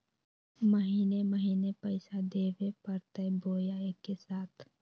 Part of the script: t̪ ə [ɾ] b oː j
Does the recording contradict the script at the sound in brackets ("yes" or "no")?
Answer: yes